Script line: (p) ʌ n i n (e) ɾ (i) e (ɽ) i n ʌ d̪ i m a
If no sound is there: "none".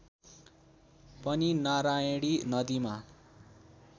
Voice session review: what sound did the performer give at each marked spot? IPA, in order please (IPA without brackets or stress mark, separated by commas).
p, a, a, ɽ